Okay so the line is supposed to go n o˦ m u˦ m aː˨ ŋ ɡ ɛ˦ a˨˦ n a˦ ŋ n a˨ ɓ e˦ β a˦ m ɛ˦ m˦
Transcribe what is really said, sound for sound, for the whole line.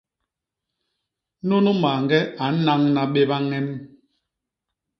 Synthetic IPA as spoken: n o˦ n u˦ m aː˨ ŋ ɡ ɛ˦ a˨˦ n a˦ ŋ n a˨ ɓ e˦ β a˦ ŋ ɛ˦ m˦